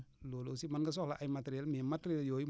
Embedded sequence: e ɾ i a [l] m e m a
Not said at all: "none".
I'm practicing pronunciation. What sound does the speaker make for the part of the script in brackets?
l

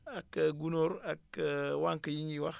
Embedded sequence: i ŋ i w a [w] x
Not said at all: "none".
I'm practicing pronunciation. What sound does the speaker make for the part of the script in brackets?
none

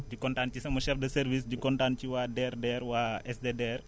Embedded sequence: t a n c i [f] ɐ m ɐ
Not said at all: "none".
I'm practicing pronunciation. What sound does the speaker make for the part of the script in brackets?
s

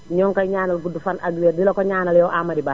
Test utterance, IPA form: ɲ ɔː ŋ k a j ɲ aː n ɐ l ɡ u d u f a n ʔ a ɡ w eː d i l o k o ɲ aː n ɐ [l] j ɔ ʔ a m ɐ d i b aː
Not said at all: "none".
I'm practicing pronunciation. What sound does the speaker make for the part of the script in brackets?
l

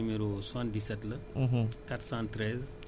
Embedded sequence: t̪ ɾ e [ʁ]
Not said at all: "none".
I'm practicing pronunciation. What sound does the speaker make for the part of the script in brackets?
z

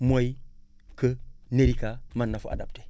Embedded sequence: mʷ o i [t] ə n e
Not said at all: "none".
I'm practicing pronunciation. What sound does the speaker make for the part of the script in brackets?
k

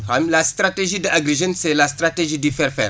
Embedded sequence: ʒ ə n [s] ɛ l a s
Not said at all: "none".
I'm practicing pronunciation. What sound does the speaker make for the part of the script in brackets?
s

